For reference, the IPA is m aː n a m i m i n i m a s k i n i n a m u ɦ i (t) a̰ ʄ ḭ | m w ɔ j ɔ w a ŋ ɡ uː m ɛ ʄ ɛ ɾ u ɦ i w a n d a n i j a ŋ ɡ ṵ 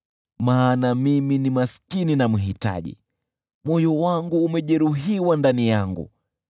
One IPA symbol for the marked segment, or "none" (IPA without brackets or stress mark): t